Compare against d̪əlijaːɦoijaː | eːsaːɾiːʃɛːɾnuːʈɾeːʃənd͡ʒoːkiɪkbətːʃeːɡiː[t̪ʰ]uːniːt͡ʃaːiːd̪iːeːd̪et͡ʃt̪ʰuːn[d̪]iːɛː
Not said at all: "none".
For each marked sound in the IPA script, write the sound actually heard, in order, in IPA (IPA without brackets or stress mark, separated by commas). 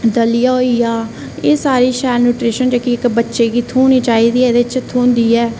t̪ʰ, d̪